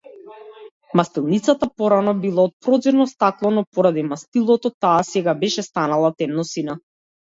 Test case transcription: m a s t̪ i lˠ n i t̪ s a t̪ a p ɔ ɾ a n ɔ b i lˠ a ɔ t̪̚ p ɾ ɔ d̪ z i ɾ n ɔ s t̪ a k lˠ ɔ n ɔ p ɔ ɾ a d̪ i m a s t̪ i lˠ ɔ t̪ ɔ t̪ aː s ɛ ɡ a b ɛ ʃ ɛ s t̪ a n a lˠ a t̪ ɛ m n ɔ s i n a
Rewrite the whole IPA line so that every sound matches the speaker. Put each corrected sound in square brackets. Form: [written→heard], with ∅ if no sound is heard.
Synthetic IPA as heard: m a s t̪ i lˠ n i t̪ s a t̪ a p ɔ ɾ a n ɔ b i lˠ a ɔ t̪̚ p ɾ ɔ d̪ z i ɾ n ɔ s t̪ a k lˠ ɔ n ɔ p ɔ ɾ a d̪ i m a s t̪ i lˠ ɔ t̪ ɔ t̪ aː s ɛ ɡ a b ɛ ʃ ɛ s t̪ a n a lˠ a t̪ ɛ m n ɔ s i n a